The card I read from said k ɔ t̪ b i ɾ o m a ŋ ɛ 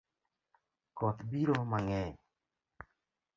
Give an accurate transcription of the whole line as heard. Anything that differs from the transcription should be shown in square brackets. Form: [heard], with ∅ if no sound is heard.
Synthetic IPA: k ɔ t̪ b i ɾ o m a ŋ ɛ